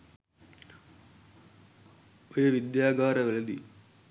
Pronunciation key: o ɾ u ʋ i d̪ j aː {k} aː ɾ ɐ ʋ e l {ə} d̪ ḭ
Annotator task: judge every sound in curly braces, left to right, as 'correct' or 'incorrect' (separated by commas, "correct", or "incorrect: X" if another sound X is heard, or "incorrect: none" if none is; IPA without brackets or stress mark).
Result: incorrect: ɡ, incorrect: ɐ